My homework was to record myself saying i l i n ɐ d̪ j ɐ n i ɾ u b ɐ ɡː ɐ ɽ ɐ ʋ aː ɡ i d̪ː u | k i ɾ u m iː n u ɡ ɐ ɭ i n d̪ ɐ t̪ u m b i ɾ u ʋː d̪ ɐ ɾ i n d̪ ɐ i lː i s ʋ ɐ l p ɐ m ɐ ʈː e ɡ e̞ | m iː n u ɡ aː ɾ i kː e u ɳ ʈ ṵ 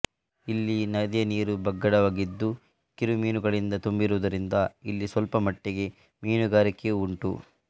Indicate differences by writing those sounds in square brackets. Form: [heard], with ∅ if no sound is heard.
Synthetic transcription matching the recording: i [lː] i n ɐ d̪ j ɐ n [iː] ɾ u b ɐ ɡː ɐ ɽ ɐ ʋ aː ɡ i d̪ː u | k i ɾ u m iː n u ɡ ɐ ɭ i n d̪ ɐ t̪ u m b i ɾ u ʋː d̪ ɐ ɾ i n d̪ ɐ i lː i s ʋ ɐ l p ɐ m ɐ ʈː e ɡ e̞ | m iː n u ɡ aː ɾ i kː e u ɳ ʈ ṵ